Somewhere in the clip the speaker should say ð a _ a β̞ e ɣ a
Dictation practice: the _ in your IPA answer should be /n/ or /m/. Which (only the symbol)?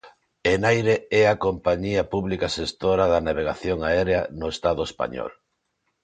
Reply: n